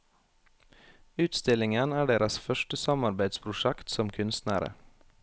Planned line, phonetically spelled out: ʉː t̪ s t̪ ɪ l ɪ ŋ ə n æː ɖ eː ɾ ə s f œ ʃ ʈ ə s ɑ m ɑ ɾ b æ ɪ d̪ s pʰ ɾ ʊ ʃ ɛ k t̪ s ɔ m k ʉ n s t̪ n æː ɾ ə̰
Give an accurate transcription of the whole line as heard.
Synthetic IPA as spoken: ʉː t̪ s t̪ ɪ l ɪ ŋ ə n æː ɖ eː ɾ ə s f œ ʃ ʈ ə s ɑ m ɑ ɾ b æ ɪ d̪ s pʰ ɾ ʊ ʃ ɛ k t̪ s ɔ m kʰ ʉ n s t̪ n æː ɾ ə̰